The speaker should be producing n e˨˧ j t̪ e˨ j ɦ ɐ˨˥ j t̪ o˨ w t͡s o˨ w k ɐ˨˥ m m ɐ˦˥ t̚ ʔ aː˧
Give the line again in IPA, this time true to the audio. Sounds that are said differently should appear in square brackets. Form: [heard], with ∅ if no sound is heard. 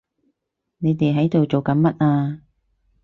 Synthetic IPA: n e˨˧ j t̪ e˨ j ɦ ɐ˨˥ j t̪ o˨ w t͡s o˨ w k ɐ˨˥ [n] m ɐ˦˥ t̚ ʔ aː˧